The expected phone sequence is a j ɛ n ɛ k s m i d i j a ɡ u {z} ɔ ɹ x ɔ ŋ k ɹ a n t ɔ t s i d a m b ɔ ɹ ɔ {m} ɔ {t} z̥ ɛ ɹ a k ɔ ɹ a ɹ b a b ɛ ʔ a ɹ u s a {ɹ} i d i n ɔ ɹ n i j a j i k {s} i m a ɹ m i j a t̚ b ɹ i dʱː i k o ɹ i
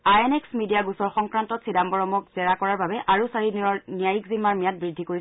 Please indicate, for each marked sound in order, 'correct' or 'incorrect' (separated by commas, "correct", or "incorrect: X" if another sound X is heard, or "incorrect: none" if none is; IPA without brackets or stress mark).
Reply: incorrect: s, correct, incorrect: k, correct, incorrect: z